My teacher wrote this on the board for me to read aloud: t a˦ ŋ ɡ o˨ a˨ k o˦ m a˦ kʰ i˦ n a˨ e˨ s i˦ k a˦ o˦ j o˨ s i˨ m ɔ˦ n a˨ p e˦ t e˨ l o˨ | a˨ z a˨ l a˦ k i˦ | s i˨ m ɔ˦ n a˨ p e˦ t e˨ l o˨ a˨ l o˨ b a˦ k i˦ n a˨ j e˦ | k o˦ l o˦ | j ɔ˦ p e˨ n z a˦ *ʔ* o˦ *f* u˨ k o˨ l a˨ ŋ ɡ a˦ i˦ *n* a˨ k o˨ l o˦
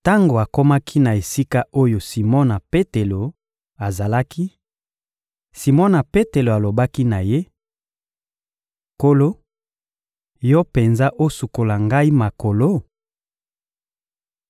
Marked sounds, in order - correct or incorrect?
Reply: correct, incorrect, incorrect

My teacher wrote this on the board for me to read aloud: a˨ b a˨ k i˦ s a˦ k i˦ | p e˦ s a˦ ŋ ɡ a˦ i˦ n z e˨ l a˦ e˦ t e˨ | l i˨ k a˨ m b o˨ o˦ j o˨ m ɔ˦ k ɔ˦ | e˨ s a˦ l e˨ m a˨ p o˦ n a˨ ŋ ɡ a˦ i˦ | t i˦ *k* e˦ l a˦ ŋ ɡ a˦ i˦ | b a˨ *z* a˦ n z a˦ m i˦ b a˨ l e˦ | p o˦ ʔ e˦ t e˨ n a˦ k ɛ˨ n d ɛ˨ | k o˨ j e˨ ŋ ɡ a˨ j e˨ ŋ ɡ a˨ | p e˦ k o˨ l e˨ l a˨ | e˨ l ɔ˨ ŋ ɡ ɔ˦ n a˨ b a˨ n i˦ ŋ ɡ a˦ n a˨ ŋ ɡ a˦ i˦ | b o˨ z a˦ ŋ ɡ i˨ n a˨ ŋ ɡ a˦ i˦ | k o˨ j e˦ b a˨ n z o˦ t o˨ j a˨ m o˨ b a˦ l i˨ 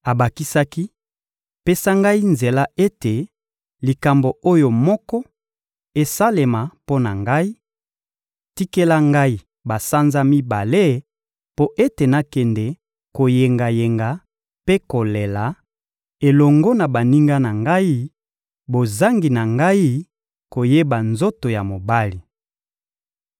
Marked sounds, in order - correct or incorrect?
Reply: correct, incorrect

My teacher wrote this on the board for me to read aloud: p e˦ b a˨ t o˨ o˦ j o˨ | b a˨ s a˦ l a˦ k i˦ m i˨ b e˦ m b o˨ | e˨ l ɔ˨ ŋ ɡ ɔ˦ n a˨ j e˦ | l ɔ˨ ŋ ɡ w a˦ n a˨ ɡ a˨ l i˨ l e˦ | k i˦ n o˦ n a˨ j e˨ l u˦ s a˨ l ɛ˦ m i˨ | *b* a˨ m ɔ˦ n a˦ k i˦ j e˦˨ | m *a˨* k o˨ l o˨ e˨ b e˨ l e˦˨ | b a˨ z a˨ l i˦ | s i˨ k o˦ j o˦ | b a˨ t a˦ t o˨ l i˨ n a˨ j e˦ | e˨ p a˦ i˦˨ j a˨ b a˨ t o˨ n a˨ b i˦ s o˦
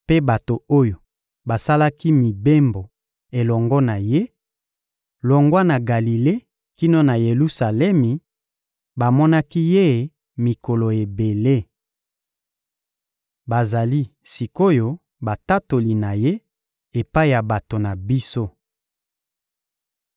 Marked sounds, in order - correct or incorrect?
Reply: correct, incorrect

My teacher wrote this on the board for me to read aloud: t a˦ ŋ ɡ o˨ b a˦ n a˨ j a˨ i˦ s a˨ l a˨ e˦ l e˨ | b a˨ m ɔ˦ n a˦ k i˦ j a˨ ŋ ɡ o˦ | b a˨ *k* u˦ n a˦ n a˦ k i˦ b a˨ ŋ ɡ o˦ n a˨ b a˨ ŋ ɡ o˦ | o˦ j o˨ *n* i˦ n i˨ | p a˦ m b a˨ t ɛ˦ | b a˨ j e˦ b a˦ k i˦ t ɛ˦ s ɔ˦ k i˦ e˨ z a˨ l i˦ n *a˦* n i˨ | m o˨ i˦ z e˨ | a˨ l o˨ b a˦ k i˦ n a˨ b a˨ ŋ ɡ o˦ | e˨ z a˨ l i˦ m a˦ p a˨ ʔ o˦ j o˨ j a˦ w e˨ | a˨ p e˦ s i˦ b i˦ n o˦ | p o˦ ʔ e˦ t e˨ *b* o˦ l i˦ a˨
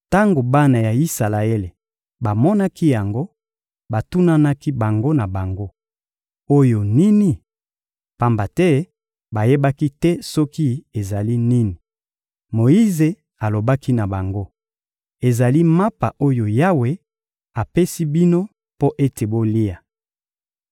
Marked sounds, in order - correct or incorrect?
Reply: incorrect, correct, incorrect, correct

